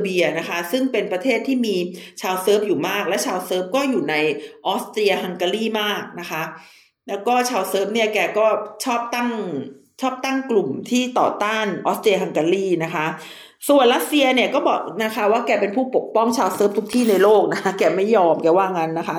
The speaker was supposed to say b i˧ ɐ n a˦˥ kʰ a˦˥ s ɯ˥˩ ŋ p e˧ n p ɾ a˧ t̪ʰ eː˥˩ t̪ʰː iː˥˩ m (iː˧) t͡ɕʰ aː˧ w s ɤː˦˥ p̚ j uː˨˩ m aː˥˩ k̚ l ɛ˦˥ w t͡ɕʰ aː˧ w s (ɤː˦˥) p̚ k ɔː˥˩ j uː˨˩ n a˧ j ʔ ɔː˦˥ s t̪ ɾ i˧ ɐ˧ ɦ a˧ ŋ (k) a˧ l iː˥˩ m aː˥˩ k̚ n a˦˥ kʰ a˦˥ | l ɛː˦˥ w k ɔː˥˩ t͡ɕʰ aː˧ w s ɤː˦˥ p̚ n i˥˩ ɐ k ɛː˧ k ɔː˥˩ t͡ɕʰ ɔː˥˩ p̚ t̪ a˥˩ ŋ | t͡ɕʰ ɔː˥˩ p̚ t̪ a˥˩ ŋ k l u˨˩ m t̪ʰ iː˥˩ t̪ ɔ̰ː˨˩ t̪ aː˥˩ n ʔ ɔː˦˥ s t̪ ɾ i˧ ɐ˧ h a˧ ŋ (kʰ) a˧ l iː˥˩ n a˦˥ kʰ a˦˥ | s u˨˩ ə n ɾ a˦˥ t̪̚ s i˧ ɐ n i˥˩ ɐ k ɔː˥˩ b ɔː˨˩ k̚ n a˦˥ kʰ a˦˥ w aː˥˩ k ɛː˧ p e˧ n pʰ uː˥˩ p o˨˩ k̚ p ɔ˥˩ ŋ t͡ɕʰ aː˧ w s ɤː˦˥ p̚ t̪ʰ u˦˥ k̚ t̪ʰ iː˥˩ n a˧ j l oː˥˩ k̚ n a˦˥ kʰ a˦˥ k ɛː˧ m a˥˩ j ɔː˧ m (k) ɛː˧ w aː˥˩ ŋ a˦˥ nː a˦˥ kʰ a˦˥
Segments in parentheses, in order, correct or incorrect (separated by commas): correct, correct, correct, incorrect, correct